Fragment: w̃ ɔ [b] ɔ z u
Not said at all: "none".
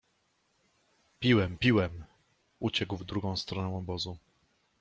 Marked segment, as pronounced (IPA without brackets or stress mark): b